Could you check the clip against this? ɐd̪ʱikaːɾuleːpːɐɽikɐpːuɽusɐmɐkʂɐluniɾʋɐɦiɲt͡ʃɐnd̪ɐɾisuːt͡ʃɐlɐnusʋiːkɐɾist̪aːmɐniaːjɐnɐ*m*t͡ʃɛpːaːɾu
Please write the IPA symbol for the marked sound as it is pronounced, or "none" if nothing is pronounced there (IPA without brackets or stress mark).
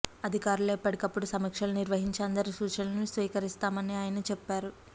none